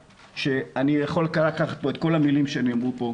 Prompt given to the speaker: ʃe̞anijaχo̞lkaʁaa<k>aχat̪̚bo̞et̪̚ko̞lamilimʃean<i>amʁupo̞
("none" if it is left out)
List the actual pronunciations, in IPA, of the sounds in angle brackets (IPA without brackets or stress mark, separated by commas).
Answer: k, i